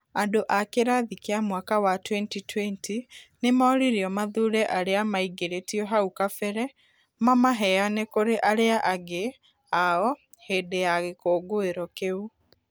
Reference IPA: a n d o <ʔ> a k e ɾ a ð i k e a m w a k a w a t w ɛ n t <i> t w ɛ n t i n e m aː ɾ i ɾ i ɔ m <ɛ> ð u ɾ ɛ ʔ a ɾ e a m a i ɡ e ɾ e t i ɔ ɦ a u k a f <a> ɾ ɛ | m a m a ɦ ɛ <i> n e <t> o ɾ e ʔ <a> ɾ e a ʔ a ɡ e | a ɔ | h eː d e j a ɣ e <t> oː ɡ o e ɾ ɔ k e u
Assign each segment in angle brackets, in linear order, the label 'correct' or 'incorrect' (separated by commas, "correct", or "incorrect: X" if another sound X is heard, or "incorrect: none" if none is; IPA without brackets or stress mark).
correct, correct, incorrect: a, incorrect: ɛ, incorrect: a, incorrect: k, correct, incorrect: k